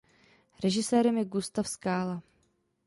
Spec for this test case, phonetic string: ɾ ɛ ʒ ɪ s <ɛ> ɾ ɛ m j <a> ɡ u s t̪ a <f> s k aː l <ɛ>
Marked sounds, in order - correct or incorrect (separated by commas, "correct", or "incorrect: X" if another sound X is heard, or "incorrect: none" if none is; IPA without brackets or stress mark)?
incorrect: ɛː, incorrect: ɛ, correct, incorrect: a